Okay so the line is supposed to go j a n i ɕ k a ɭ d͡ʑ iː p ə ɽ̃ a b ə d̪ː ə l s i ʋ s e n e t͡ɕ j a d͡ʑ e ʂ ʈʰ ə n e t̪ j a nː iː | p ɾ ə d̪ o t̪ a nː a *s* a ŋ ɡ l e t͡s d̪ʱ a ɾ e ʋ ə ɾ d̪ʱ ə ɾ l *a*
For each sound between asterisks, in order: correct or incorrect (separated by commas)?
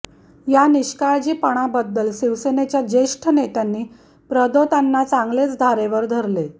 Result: incorrect, incorrect